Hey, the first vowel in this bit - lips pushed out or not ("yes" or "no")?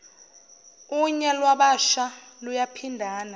yes